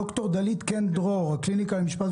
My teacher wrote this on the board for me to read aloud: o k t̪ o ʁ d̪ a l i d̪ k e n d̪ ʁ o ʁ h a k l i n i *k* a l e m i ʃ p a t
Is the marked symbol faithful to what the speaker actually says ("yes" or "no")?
yes